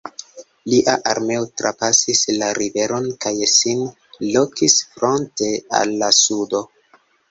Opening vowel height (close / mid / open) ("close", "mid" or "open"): close